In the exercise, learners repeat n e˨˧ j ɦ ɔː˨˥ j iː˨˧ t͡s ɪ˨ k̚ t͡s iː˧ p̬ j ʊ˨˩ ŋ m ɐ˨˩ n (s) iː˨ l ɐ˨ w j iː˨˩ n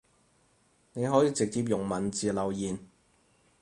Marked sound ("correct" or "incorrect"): incorrect